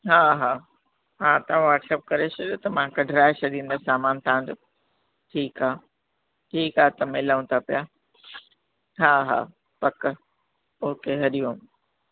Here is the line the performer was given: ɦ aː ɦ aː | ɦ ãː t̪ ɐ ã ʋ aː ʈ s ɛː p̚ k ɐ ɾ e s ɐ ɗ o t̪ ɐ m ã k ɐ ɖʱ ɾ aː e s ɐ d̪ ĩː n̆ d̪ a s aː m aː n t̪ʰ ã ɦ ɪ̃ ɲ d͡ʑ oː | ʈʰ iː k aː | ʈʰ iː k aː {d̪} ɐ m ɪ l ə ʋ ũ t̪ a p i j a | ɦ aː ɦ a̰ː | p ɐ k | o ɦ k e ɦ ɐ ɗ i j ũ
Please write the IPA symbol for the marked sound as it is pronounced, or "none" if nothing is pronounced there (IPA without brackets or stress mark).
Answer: t̪